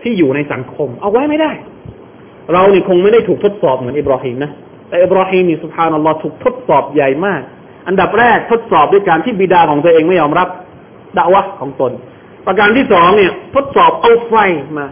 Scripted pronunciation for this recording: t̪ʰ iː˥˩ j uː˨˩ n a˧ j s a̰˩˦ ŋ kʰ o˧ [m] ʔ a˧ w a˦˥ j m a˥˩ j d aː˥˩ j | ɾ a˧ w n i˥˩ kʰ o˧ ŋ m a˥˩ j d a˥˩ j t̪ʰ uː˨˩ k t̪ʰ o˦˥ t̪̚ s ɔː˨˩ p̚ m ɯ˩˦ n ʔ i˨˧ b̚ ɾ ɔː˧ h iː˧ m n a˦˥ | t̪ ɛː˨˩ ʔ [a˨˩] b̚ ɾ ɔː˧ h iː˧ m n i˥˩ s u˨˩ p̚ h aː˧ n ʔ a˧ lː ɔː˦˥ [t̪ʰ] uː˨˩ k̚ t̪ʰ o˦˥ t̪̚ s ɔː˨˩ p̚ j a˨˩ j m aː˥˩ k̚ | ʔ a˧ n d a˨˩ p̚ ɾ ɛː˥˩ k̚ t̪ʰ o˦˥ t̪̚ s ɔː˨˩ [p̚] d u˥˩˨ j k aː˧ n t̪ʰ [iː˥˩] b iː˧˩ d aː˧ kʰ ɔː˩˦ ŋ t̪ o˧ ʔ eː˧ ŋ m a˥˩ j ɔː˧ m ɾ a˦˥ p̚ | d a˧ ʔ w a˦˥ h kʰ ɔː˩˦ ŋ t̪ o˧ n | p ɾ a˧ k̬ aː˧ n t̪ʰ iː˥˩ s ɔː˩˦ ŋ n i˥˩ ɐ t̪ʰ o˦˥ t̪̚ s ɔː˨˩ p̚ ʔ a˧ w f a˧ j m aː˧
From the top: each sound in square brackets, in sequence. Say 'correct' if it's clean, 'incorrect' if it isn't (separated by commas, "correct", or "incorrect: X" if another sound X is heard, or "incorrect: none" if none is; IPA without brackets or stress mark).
correct, incorrect: i˨˩, correct, correct, correct